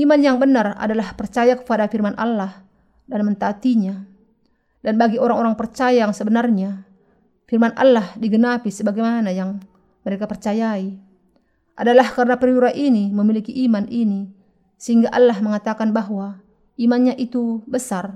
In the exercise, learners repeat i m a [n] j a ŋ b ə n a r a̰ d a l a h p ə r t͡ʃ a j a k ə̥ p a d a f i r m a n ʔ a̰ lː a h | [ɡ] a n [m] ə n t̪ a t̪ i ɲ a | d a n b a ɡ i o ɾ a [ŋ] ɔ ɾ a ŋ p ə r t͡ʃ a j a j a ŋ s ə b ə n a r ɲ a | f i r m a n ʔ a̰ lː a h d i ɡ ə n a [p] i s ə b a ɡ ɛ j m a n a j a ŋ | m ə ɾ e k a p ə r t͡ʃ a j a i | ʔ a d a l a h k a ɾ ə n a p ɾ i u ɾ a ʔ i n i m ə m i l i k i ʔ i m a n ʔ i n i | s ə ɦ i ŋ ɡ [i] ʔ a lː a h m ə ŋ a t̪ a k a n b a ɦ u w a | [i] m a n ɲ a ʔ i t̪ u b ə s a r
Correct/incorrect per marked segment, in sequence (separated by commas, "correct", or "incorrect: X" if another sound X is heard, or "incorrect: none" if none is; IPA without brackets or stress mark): correct, incorrect: d, correct, correct, correct, incorrect: a, correct